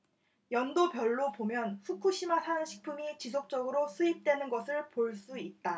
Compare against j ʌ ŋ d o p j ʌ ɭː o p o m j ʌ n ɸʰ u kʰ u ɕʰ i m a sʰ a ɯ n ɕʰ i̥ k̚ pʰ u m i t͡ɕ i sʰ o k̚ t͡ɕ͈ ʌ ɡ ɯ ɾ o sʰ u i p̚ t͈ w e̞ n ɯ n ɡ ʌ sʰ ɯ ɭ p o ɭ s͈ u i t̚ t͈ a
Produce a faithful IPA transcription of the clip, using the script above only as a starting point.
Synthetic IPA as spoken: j ʌ n d o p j ʌ ɭː o p o m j ʌ n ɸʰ u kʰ u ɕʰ i m a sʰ a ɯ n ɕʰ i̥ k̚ pʰ u m i t͡ɕ i sʰ o k̚ t͡ɕ͈ ʌ ɡ ɯ ɾ o sʰ u i p̚ t͈ w e̞ n ɯ n ɡ ʌ sʰ ɯ ɭ p o ɭ s͈ u i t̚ t͈ a